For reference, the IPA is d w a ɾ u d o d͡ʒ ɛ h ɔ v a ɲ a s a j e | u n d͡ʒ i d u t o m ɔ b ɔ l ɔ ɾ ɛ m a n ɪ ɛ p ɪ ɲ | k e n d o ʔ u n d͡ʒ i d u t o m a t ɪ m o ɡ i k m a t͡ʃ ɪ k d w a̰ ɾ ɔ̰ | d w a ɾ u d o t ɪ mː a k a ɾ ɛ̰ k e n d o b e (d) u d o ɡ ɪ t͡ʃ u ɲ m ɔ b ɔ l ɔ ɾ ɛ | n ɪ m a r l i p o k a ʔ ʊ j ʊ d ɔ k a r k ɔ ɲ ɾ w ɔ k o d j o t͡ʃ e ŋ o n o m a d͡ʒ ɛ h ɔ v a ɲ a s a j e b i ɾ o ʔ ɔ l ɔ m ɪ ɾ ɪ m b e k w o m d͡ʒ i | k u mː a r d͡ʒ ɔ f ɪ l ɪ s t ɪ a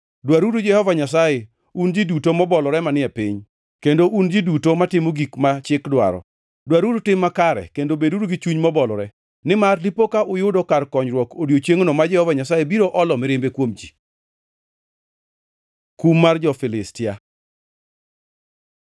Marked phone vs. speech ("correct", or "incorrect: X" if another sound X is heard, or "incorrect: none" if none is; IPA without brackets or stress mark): correct